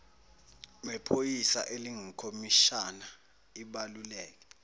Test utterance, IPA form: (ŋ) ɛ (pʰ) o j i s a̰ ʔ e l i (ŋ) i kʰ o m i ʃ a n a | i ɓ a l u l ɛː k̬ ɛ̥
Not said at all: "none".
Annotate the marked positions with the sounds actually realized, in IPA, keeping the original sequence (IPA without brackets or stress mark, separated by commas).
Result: m, pʰ, ŋ